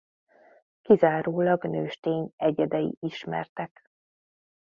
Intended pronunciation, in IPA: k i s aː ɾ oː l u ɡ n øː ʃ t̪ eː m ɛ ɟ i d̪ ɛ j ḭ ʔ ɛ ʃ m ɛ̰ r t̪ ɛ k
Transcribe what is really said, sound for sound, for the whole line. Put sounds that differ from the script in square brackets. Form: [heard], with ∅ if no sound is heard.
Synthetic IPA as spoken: k i [z] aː ɾ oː l [ɒ] ɡ n øː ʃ t̪ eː [ɲ] ɛ ɟ [ɛ] d̪ ɛ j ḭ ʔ [i] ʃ m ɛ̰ r t̪ ɛ k

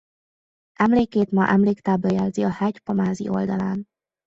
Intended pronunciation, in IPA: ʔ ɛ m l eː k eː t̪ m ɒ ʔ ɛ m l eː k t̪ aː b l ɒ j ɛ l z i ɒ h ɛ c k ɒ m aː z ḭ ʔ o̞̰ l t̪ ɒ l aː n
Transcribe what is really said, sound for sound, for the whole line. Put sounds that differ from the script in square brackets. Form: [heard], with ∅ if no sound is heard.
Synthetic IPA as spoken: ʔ ɛ m l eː k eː t̪ m ɒ ʔ ɛ m l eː k t̪ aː b l ɒ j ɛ l z i ɒ h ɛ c [p] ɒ m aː z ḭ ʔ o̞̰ l [d̪] ɒ l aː n

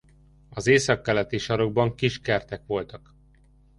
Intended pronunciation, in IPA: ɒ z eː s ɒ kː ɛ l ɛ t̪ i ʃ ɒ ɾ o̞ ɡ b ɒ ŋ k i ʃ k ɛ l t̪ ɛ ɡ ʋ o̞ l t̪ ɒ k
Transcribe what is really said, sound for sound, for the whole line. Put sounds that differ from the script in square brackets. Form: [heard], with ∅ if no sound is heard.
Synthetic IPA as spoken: ɒ z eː s ɒ kː ɛ l ɛ t̪ i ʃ ɒ ɾ o̞ ɡ b ɒ ŋ k i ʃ k ɛ [r] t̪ ɛ [k] ʋ o̞ l t̪ ɒ k

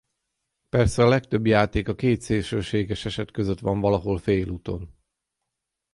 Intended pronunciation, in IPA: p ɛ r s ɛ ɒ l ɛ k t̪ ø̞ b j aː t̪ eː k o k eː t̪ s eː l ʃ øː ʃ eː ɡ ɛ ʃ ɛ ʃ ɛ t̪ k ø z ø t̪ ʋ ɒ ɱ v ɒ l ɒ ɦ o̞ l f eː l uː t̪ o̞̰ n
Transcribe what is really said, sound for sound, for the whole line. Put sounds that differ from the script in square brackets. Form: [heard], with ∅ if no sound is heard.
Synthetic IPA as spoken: p ɛ r s ɛ ɒ l ɛ k t̪ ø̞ b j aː t̪ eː k [ɒ] k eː t̪ s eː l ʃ øː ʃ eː ɡ ɛ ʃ ɛ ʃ ɛ t̪ k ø z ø t̪ ʋ ɒ ɱ v ɒ l ɒ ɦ o̞ l f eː l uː t̪ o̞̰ n

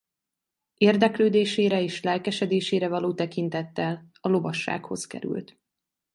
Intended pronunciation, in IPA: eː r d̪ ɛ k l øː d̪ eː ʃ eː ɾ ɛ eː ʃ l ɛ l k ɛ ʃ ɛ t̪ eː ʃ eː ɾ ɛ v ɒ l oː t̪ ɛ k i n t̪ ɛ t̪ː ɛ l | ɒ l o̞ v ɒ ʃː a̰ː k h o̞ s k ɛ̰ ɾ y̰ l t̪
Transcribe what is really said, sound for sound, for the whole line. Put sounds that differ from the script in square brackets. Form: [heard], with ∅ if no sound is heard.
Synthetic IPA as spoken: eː r d̪ ɛ k l øː d̪ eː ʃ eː ɾ ɛ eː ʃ l ɛ l k ɛ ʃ ɛ [d̪] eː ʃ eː ɾ ɛ v ɒ l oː t̪ ɛ k i n t̪ ɛ t̪ː ɛ l | ɒ l o̞ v ɒ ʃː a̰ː k h o̞ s k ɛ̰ ɾ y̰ l t̪

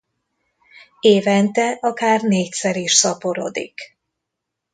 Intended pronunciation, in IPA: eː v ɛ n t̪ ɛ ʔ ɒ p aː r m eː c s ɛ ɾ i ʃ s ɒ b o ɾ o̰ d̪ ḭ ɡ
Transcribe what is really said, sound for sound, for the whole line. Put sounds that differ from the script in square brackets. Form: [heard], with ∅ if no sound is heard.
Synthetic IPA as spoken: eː v ɛ n t̪ ɛ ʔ ɒ [k] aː r [n] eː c s ɛ ɾ i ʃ s ɒ [p] o ɾ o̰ d̪ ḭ [k]

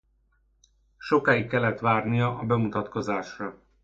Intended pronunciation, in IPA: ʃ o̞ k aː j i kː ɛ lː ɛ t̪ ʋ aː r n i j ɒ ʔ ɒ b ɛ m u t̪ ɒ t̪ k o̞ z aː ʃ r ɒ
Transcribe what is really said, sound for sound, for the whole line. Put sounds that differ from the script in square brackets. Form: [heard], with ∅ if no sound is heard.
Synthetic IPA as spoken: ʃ o̞ k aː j i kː ɛ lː ɛ t̪ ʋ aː r n i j ɒ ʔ ɒ b ɛ m u t̪ ɒ t̪ k o̞ z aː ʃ r ɒ

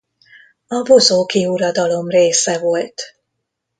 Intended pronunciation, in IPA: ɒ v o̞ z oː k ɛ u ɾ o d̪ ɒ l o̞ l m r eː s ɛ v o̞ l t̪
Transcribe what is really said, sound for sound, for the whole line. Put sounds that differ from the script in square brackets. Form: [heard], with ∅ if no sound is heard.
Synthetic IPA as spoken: ɒ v o̞ z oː k [i] u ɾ [ɒ] d̪ ɒ l o̞ [∅] m r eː s ɛ v o̞ l t̪

